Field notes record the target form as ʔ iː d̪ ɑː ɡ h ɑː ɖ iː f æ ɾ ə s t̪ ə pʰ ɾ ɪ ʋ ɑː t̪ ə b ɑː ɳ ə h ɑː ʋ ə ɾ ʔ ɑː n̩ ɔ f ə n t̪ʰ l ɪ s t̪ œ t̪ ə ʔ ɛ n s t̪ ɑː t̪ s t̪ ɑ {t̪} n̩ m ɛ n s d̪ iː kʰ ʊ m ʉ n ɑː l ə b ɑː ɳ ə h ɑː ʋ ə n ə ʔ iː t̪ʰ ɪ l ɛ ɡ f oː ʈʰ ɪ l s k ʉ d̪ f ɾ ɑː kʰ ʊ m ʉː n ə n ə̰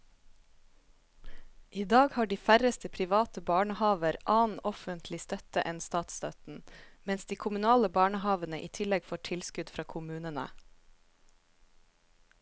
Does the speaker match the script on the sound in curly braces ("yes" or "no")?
yes